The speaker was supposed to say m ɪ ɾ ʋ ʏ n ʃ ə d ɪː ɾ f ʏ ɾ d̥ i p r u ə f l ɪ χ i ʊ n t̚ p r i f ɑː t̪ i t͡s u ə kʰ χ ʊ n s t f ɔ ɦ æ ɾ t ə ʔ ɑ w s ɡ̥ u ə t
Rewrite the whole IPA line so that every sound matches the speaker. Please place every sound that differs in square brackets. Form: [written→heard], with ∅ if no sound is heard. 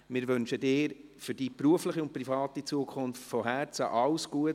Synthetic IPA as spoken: m ɪ ɾ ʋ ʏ n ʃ ə d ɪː ɾ f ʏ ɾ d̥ i p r u ə f l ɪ χ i ʊ n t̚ p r i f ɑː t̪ i t͡s u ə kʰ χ ʊ n [s→f] t f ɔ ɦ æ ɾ [t→t͡s] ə ʔ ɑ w s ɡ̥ u ə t